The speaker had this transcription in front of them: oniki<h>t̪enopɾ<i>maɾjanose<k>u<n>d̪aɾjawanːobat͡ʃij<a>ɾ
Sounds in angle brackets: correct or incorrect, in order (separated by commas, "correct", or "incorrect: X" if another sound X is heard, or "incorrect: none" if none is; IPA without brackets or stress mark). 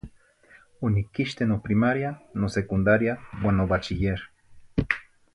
incorrect: ʃ, correct, correct, correct, incorrect: e